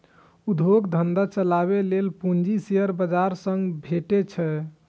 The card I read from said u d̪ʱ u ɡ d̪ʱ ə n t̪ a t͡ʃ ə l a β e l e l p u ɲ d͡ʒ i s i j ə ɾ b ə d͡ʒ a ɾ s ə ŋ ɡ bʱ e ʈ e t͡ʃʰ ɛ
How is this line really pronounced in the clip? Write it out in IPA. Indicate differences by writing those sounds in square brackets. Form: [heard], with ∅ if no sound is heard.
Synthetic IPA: u d̪ʱ [o] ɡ d̪ʱ ə n [d̪] a t͡ʃ ə l a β e l e l p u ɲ d͡ʒ i s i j ə ɾ b ə d͡ʒ a ɾ s ə ŋ ɡ bʱ e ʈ e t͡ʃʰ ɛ